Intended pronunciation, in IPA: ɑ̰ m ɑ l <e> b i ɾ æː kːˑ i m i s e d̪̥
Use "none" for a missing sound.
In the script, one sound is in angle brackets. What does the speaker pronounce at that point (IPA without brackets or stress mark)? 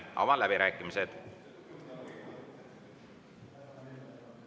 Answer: æ